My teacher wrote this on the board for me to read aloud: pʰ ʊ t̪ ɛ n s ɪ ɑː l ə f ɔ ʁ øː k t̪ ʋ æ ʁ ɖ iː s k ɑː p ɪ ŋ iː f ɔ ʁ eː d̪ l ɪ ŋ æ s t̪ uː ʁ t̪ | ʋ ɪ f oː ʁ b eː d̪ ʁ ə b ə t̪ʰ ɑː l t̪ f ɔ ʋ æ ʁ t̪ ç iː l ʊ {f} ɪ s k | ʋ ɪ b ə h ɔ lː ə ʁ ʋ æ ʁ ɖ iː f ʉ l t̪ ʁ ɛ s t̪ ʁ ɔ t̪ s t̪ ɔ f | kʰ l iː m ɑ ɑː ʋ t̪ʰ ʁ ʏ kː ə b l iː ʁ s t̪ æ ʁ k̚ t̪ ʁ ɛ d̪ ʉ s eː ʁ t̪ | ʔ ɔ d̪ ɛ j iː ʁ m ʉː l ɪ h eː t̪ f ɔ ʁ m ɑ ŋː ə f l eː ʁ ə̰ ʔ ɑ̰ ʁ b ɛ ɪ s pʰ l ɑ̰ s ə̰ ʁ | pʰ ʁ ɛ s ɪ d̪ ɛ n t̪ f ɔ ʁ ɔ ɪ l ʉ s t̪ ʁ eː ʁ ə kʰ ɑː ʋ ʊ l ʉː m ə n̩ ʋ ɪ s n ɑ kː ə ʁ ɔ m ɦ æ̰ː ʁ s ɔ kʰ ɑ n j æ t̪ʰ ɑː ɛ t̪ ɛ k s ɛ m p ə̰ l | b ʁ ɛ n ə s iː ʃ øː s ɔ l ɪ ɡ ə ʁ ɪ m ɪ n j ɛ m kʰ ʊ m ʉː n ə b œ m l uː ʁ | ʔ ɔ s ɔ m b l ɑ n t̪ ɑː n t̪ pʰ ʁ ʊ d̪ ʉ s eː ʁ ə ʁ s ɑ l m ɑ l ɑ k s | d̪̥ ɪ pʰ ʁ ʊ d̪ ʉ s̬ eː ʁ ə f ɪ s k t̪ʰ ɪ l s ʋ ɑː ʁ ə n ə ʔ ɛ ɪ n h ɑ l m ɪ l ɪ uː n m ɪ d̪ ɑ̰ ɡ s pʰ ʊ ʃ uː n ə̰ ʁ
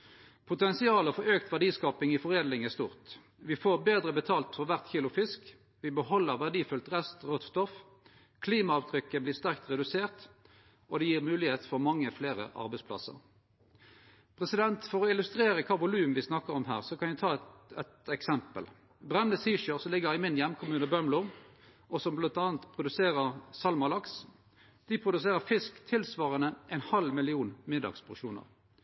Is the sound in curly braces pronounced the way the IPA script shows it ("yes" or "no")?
yes